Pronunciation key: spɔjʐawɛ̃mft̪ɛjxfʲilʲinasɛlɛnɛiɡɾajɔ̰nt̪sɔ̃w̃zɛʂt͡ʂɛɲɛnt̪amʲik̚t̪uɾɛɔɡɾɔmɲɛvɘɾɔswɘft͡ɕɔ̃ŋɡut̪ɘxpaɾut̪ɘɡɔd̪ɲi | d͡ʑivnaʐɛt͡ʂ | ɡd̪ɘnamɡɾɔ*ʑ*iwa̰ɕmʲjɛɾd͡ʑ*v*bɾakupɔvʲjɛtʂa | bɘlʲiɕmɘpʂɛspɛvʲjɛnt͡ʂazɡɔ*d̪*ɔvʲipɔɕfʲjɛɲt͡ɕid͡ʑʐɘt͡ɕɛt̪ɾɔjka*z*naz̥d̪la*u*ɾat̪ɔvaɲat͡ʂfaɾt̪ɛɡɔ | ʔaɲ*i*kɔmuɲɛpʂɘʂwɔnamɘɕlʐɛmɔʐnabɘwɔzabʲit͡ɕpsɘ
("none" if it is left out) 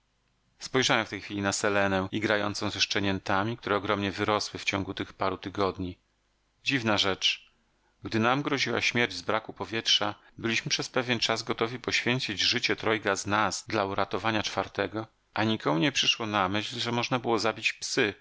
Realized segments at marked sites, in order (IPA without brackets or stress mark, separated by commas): ʑ, z, t̪, z, u, i